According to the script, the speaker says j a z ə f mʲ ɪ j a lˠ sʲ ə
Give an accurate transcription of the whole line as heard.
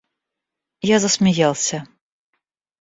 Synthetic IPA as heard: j a z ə s mʲ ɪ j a lˠ sʲ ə